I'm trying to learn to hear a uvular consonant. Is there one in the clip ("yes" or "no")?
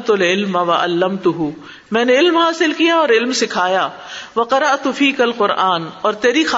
yes